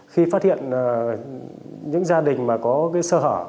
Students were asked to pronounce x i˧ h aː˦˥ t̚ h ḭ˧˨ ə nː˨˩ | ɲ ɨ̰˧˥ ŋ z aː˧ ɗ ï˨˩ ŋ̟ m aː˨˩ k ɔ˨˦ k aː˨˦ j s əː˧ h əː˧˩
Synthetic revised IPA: x i˧ f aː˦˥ t̚ h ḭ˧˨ ə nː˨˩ | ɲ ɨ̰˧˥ ŋ z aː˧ ɗ ï˨˩ ŋ̟ m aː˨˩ k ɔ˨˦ k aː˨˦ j s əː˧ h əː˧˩